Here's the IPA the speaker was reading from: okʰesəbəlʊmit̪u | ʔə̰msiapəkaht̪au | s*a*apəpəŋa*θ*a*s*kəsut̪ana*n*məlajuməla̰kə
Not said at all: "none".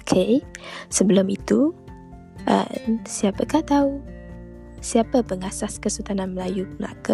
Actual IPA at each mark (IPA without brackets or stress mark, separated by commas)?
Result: i, s, s, n